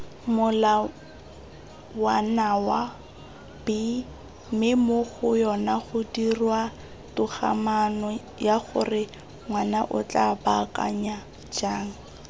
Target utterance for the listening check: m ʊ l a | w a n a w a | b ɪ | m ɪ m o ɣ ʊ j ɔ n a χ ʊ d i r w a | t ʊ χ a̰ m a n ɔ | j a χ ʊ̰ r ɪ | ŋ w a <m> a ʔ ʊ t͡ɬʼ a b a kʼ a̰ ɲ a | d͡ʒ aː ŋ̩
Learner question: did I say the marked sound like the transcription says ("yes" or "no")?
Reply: no